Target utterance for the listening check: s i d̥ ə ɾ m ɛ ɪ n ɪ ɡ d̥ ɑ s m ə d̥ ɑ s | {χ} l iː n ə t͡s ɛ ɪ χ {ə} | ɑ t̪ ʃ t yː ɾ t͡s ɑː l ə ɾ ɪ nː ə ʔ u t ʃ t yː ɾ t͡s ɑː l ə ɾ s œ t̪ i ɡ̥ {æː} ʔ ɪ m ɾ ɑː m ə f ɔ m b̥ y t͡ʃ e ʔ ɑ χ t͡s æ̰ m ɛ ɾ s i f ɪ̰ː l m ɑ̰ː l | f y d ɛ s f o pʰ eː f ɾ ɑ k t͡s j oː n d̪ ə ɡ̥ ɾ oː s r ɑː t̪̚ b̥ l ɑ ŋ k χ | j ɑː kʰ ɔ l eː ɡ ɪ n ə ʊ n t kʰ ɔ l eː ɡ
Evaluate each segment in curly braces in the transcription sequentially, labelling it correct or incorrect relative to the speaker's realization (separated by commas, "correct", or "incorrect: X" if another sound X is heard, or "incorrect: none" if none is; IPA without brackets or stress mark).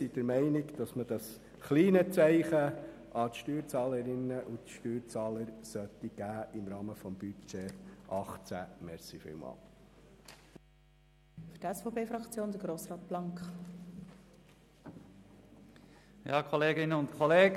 correct, correct, correct